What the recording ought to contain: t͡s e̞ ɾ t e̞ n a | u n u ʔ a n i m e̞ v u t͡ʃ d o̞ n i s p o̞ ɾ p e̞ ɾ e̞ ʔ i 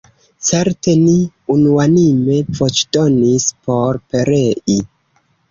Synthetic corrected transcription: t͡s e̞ ɾ t e̞ n i | u n u a n i m e̞ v o t͡ʃ d o̞ n i s p o̞ ɾ p e̞ ɾ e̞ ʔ i